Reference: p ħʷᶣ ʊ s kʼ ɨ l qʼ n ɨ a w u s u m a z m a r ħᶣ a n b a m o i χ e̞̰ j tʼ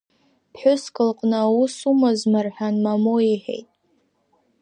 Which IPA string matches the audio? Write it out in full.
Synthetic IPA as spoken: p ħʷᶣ ʊ s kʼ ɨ l qʼ n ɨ a w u s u m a z m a r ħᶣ a n m a m o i ħ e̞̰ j tʼ